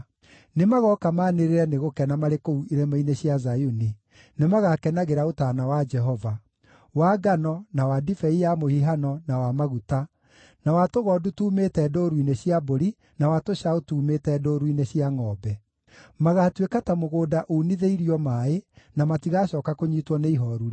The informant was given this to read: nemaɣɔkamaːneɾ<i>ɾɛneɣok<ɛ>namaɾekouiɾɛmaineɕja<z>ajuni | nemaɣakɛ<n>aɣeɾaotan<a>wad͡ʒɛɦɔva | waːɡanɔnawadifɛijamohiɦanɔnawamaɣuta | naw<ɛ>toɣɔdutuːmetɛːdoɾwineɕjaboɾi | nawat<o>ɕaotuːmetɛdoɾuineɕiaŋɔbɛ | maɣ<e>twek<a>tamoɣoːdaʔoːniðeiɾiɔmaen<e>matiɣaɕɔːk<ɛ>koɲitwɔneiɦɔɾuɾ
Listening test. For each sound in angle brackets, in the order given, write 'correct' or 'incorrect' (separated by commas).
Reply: incorrect, correct, correct, correct, correct, incorrect, correct, incorrect, correct, incorrect, incorrect